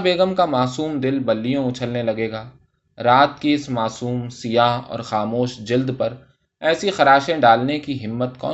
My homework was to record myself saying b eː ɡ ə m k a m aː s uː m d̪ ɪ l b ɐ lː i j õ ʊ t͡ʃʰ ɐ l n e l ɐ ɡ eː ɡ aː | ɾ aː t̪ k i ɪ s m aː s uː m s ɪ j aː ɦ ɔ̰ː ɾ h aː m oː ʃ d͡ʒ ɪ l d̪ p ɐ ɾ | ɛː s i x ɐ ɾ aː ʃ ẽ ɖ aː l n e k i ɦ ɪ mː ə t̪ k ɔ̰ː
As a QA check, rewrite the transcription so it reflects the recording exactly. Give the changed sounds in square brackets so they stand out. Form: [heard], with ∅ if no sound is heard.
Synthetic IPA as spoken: b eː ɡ ə m k a m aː s uː m d̪ ɪ l b ɐ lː i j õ ʊ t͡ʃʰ [ə] l n e l ɐ ɡ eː ɡ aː | ɾ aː t̪ k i ɪ s m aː s uː m s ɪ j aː ɦ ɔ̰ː ɾ [x] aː m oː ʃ d͡ʒ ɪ l d̪ p ɐ ɾ | ɛː s i x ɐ ɾ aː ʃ ẽ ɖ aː l n e k i ɦ ɪ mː ə t̪ k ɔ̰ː